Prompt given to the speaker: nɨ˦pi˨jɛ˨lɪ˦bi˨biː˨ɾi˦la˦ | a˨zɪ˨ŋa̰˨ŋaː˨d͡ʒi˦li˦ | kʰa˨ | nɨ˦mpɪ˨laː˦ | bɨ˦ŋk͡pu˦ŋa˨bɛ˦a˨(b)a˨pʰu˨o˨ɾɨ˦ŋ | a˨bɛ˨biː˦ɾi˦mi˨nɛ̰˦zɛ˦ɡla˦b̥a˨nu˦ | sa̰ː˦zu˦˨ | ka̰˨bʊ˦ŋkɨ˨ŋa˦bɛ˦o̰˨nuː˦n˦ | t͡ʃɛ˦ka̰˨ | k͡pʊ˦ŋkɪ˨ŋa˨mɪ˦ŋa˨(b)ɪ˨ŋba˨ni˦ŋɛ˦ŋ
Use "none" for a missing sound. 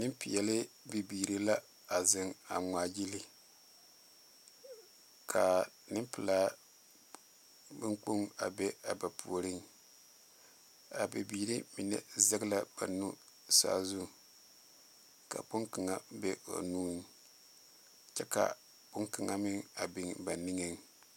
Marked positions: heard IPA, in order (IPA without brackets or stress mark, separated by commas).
b, b